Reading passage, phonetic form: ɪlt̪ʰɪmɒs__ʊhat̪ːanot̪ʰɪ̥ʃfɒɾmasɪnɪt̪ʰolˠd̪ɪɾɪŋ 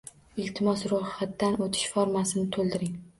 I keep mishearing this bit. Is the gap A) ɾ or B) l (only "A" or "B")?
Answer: A